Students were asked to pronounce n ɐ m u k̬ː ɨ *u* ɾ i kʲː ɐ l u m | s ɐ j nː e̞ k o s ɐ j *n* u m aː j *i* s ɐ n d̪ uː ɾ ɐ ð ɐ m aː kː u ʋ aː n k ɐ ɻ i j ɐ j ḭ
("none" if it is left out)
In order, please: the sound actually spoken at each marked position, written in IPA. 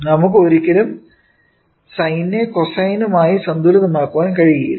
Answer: o, n, i

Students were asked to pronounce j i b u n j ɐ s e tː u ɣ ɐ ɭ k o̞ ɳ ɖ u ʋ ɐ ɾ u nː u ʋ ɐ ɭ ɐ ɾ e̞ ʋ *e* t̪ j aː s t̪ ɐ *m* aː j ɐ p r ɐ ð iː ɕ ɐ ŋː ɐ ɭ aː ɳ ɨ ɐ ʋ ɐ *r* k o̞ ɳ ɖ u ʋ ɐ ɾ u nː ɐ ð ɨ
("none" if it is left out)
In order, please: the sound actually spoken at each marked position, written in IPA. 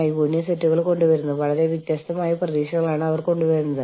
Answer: i, m, r

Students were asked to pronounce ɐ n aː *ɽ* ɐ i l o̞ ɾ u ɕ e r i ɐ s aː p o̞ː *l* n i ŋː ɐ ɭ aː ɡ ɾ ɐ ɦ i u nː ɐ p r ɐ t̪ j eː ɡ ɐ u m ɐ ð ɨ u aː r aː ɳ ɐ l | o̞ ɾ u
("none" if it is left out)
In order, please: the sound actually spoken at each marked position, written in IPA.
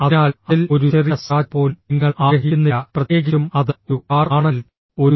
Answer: l, l

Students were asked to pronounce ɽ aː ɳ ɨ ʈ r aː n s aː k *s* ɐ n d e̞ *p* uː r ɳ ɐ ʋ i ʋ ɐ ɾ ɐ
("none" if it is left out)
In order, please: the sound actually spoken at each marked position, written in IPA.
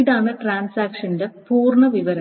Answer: ʂ, p

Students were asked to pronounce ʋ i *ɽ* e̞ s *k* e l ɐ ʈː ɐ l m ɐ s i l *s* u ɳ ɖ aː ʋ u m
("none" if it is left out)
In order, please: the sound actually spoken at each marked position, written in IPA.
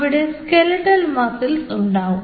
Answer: ɽ, k, s

